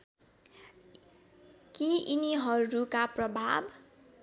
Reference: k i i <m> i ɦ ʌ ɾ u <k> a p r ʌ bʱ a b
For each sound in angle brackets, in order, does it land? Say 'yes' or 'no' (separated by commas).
no, yes